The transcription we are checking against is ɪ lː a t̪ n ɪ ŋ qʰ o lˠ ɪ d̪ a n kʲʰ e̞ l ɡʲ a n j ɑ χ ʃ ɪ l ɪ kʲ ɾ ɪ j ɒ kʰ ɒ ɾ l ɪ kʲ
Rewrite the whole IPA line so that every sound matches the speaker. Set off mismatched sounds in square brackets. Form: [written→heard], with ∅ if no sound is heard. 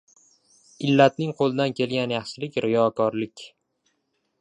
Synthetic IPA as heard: ɪ lː a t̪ n ɪ ŋ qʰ o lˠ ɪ d̪ a n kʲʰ e̞ l ɡʲ a n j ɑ χ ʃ ɪ l ɪ kʲ ɾ ɪ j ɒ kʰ ɒ ɾ l ɪ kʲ